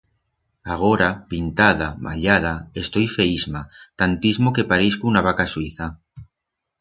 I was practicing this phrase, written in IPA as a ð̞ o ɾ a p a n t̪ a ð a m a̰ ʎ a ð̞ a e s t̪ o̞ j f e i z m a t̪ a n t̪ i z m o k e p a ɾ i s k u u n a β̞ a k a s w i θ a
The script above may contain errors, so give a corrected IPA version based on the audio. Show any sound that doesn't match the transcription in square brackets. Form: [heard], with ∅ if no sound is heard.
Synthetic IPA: a [ɣ̞] o ɾ a p [i] n t̪ a ð a m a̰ ʎ a ð̞ a e s t̪ o̞ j f e i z m a t̪ a n t̪ i z m o k e p a ɾ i s k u u n a β̞ a k a s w i θ a